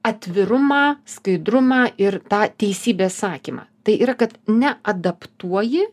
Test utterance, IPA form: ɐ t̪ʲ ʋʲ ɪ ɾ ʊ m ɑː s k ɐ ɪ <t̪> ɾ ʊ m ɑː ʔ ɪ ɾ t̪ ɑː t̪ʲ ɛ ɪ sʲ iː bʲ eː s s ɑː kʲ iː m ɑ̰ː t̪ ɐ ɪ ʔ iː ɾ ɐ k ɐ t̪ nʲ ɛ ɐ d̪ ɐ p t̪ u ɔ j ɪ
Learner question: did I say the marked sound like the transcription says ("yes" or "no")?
no